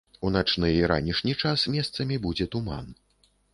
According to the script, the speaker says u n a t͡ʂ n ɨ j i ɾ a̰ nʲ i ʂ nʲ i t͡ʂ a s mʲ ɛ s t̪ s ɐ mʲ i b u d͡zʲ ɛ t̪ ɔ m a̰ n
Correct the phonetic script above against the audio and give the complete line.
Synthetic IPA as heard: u n a t͡ʂ n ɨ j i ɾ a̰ nʲ i ʂ nʲ i t͡ʂ a s mʲ ɛ s t̪ s ɐ mʲ i b u d͡zʲ ɛ t̪ u m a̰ n